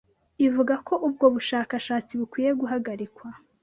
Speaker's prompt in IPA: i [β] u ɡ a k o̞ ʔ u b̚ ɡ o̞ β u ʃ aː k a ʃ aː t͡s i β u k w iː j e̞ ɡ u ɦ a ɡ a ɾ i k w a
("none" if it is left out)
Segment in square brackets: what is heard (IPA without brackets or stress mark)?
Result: v